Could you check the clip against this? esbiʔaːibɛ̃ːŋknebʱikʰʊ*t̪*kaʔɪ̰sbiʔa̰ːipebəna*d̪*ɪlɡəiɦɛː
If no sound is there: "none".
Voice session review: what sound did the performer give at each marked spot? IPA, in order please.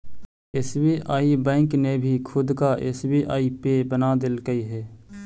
d̪, d̪

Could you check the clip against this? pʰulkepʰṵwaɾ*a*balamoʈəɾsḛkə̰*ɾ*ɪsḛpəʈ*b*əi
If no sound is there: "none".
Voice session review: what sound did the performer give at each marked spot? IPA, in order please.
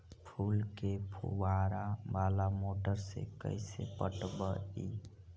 a, none, b

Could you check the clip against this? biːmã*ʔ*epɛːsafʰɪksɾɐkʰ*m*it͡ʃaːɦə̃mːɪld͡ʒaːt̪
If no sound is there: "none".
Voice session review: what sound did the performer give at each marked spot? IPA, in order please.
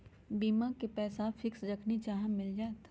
k, n

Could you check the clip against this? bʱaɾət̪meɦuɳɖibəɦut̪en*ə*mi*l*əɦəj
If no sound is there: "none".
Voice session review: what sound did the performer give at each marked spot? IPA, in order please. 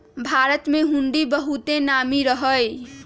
a, ɾ

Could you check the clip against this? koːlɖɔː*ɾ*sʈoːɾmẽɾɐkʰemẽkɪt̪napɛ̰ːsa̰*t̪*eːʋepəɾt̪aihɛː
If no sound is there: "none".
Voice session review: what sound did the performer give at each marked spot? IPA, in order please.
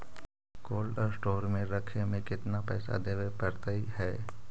ɾ, d̪

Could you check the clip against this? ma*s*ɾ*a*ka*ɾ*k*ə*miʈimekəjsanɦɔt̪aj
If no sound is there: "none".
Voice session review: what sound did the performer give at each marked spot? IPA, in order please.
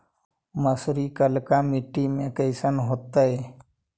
s, i, l, a

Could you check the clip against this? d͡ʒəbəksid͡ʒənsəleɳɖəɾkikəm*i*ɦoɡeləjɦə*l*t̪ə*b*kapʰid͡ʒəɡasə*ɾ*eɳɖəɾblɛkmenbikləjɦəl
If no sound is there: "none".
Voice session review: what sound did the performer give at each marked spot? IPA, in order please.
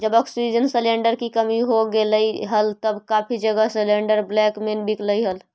i, l, b, l

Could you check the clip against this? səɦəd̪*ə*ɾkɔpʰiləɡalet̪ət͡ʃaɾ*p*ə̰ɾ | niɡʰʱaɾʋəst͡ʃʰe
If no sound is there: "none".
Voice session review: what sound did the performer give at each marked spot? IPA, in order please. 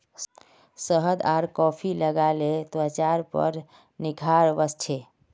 a, p

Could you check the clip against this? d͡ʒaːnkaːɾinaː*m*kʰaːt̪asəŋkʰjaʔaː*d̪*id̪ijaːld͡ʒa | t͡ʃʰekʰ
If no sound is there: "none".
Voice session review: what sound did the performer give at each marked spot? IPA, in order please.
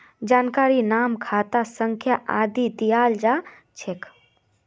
m, d̪

